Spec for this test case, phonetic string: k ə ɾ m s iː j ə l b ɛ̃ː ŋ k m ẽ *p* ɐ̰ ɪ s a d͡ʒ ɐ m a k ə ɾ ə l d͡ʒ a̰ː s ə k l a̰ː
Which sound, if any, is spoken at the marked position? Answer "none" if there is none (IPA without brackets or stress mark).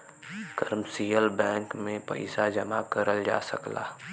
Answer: p